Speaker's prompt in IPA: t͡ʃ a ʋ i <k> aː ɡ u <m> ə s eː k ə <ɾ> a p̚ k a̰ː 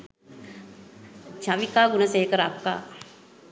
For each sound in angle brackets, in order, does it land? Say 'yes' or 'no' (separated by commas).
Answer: yes, no, yes